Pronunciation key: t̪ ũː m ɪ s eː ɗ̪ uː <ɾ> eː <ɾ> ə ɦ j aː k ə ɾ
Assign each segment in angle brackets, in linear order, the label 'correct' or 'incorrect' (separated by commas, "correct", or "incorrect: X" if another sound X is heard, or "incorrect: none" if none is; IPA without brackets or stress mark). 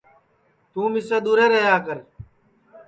correct, correct